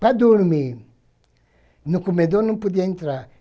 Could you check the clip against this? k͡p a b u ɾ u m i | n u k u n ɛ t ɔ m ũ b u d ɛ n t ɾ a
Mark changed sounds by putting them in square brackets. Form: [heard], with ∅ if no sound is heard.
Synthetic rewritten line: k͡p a [d] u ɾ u m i | n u k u [m] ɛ [d] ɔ [n] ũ [p] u d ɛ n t ɾ a